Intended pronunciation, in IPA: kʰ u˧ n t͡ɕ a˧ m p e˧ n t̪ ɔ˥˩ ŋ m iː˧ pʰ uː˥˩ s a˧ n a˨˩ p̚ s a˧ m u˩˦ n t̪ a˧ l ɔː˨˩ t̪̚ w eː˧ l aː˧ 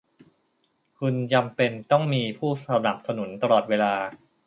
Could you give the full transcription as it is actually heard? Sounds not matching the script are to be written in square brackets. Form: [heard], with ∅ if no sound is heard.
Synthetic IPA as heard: kʰ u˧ n t͡ɕ a˧ m p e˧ n t̪ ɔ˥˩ ŋ m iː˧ pʰ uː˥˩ s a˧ n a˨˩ p̚ s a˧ [n] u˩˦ n t̪ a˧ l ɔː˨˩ t̪̚ w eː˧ l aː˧

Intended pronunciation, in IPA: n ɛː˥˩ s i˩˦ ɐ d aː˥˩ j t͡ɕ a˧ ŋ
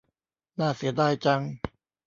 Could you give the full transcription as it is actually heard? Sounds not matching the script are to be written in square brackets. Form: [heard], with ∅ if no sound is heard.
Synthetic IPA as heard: n [aː˥˩] s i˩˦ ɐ d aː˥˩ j t͡ɕ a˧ ŋ

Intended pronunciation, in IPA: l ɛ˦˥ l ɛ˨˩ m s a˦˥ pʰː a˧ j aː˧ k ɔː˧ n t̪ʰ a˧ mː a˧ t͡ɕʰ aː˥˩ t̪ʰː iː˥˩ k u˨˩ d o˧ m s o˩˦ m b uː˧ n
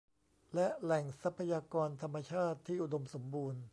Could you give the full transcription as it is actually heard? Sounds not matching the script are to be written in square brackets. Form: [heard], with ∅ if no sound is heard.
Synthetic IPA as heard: l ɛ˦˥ l ɛ˨˩ [ŋ] s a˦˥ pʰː a˧ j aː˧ k ɔː˧ n t̪ʰ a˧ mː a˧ t͡ɕʰ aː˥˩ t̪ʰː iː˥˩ [ʔ] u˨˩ d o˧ m s o˩˦ m b uː˧ n

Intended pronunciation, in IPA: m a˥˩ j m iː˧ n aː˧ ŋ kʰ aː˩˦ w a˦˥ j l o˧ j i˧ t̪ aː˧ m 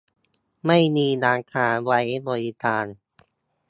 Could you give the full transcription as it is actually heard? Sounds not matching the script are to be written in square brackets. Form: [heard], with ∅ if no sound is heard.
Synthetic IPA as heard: m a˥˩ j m iː˧ n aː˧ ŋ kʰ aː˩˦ w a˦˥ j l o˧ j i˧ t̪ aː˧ [n]

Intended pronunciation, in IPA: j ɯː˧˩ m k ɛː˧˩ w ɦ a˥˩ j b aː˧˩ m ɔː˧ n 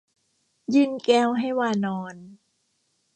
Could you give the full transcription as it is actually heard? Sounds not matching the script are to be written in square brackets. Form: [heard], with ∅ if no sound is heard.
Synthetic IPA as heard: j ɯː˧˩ [n] k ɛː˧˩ w ɦ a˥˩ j [w] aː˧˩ [n] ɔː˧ n

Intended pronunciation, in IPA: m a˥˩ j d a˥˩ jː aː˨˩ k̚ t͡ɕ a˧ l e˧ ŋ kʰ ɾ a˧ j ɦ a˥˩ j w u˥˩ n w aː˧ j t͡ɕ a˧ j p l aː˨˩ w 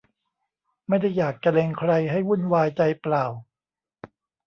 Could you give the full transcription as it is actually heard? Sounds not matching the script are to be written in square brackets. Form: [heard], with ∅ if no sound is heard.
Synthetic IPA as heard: m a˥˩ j d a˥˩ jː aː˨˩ k̚ t͡ɕ a˧ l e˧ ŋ kʰ ɾ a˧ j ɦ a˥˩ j w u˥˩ n w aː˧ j t͡ɕ a˧ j p l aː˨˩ w

